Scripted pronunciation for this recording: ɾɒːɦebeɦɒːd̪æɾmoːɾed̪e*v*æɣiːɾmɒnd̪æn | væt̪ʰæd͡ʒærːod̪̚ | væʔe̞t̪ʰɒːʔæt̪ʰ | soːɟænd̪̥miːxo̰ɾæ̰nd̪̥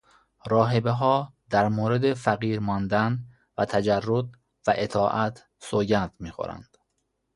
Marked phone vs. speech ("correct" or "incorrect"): incorrect